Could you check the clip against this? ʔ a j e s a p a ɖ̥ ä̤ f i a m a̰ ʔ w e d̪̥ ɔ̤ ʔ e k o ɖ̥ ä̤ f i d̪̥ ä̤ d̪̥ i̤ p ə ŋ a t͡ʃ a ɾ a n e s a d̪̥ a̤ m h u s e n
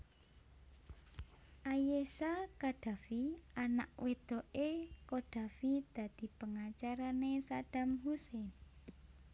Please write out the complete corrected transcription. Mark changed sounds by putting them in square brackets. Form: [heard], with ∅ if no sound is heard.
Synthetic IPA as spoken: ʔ a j e s a [k] a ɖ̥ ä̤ f i a [n] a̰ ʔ w e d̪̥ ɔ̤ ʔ e k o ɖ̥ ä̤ f i d̪̥ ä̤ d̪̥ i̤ p ə ŋ a t͡ʃ a ɾ a n e s a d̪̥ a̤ m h u s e n

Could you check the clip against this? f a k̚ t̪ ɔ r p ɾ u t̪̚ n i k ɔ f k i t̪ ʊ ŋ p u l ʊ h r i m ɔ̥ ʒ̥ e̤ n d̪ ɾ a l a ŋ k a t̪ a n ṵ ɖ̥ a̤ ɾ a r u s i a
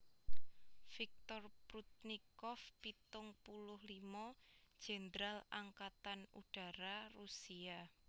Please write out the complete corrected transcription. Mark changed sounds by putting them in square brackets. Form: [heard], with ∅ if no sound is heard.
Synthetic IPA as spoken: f [i] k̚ t̪ ɔ r p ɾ u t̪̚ n i k ɔ f [p] i t̪ ʊ ŋ p u l ʊ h [l] i m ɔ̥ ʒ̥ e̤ n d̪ ɾ a l a ŋ k a t̪ a n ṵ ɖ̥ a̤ ɾ a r u s i a

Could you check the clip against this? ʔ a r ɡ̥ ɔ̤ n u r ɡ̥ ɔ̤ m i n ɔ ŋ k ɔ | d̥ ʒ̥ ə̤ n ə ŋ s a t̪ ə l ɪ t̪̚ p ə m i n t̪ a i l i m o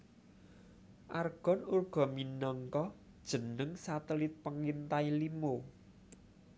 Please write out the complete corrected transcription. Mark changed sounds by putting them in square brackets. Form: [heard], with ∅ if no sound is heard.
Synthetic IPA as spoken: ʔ a r ɡ̥ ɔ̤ n u r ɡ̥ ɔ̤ m i n ɔ ŋ k ɔ | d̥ ʒ̥ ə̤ n ə ŋ s a t̪ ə l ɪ t̪̚ p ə [ŋ] i n t̪ a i l i m o

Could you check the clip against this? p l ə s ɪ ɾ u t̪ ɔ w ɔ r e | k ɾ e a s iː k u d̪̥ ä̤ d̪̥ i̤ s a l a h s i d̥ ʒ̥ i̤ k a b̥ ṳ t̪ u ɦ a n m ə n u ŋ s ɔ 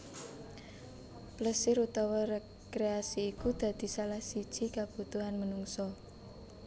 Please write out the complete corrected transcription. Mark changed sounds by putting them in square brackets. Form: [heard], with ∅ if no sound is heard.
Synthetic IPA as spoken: p l ə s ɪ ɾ u t̪ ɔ w ɔ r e | k ɾ e a s iː k u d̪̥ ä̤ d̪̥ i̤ s a l a h s i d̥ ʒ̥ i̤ k a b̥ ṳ t̪ u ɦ a n m ə n u ŋ s ɔ

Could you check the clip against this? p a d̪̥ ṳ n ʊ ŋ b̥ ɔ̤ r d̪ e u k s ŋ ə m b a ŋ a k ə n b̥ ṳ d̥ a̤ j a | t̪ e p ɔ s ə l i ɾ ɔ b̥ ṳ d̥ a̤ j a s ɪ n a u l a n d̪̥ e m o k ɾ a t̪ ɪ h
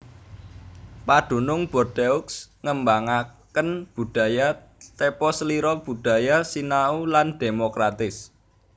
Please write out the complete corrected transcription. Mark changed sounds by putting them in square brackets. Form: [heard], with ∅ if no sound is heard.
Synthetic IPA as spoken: p a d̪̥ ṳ n ʊ ŋ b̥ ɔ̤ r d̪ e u k s ŋ ə m b a ŋ a k ə n b̥ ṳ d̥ a̤ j a | t̪ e p ɔ s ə l i ɾ ɔ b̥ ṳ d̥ a̤ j a s [i] n a u l a n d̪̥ e m o k ɾ a t̪ ɪ [s]

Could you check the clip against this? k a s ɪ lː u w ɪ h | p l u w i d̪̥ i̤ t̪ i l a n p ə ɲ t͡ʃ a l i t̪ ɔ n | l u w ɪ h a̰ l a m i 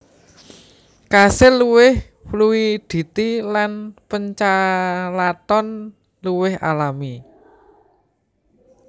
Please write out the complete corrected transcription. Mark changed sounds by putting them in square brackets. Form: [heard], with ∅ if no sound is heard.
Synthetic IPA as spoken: k a s ɪ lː u w ɪ h | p l u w i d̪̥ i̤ t̪ i l a n p ə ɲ t͡ʃ a l [a] t̪ ɔ n | l u w ɪ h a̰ l a m i

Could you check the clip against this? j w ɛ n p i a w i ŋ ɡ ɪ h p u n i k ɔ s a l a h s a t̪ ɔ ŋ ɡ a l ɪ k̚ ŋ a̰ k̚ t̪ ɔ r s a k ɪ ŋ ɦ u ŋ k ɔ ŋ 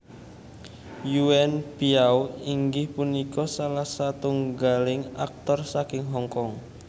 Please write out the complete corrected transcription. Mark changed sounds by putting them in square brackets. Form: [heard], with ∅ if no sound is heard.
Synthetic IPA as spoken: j [u] ɛ n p i a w i ŋ ɡ ɪ h p u n i k ɔ s a l a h s a t̪ [u] ŋ ɡ a l ɪ [∅] ŋ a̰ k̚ t̪ ɔ r s a k ɪ ŋ ɦ [ɔ] ŋ k ɔ ŋ

